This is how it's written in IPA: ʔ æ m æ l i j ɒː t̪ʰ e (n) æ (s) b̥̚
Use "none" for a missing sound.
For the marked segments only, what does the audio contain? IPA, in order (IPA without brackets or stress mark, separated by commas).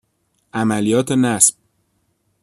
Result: n, s